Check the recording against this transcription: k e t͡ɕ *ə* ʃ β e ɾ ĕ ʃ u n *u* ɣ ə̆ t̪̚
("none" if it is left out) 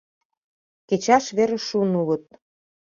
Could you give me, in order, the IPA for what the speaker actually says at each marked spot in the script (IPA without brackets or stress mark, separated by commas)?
ɑ, u